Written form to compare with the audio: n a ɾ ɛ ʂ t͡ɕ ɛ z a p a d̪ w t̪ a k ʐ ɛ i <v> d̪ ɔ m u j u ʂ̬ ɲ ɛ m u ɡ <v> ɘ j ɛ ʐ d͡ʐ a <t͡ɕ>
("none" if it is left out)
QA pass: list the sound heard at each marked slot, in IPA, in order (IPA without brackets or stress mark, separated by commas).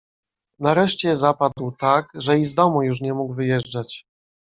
z, v, t͡ɕ